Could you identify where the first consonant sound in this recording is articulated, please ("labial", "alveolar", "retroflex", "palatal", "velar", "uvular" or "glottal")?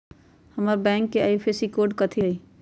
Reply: glottal